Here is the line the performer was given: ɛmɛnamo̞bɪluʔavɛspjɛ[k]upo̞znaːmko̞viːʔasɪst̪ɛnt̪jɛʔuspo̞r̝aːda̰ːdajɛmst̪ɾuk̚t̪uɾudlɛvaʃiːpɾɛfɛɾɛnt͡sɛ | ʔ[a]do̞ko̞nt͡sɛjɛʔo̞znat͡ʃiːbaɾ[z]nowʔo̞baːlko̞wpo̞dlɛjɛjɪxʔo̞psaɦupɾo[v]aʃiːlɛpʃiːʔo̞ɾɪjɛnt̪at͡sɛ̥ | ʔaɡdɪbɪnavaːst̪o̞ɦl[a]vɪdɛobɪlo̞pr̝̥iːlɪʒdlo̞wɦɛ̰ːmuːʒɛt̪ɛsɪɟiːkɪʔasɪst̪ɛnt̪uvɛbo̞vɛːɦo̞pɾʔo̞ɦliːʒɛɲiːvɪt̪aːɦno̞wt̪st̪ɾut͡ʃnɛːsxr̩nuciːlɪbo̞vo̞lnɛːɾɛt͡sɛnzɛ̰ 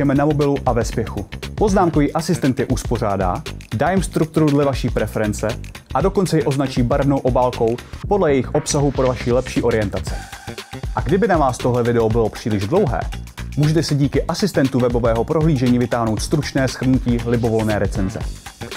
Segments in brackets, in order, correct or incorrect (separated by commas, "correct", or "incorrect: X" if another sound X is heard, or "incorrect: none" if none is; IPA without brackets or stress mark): incorrect: x, correct, incorrect: v, correct, incorrect: ɛ